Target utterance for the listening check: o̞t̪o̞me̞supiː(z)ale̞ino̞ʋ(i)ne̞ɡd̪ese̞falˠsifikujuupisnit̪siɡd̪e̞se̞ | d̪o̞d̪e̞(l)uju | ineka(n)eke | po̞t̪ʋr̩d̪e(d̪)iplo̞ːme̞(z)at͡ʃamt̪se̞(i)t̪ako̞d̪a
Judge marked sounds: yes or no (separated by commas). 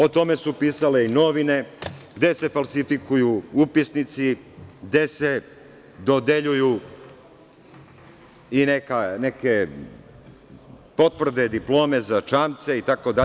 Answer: no, yes, no, yes, yes, yes, yes